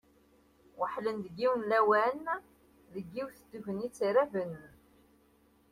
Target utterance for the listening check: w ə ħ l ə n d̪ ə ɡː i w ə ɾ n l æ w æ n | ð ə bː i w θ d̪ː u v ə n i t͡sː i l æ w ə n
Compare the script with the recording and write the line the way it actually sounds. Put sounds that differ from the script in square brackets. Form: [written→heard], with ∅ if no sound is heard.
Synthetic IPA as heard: w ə ħ l ə n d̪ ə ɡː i w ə [ɾ→∅] n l æ w æ n | ð ə [bː→ɡː] i w θ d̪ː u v ə n i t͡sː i [l→ɾ] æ [w→v] ə n